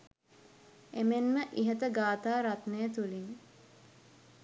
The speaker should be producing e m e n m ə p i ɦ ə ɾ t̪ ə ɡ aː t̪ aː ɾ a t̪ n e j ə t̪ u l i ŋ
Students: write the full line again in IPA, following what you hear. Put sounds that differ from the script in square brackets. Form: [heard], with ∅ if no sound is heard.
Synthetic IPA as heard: e m e n m ə [ʔ] i ɦ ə [∅] t̪ ə ɡ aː t̪ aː ɾ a t̪ n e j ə t̪ u l i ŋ